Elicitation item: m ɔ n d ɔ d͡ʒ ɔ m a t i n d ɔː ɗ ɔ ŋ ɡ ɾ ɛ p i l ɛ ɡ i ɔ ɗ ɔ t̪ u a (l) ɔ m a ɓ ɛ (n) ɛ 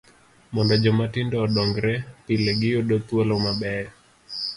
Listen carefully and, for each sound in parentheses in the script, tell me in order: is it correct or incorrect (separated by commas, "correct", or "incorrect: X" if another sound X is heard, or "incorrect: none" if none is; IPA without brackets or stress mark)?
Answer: correct, incorrect: none